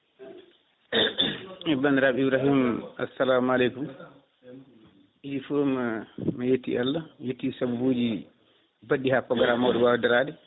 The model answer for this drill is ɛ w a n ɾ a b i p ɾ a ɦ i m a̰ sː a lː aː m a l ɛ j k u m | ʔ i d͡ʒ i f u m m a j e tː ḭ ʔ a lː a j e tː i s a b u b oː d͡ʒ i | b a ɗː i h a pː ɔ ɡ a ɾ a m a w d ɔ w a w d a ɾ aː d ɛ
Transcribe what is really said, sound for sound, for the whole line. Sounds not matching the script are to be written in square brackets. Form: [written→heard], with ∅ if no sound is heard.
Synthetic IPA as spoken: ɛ [w→b] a n ɾ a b i [p→b] ɾ a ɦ i m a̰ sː a [lː→l] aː m a l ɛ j k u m | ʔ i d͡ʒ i f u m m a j e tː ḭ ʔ a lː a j e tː i s a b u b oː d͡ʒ i | b a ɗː i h a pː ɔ ɡ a ɾ a m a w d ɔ w a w d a ɾ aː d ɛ